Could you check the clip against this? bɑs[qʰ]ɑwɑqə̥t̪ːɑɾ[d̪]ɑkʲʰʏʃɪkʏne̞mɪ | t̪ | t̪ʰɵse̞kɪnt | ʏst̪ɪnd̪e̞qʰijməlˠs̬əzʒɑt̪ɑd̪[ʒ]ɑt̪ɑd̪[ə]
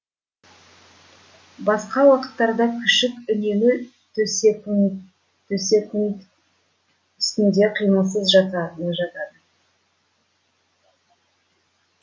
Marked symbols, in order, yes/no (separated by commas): no, yes, yes, yes